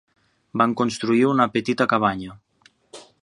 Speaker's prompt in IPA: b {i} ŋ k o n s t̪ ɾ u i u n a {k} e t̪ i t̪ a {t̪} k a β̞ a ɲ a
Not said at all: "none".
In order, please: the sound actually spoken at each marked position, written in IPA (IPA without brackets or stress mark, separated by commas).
a, p, none